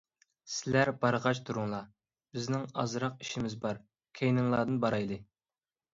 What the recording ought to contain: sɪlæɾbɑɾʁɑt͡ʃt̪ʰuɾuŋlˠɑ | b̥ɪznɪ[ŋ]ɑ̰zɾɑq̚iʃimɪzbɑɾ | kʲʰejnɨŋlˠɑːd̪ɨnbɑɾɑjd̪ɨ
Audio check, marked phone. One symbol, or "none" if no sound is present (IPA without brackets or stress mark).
ŋ